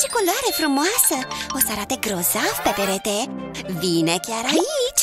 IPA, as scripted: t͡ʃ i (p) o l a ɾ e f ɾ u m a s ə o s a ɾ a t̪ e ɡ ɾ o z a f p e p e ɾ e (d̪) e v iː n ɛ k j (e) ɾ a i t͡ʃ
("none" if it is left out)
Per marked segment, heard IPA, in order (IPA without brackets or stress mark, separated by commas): k, t̪, a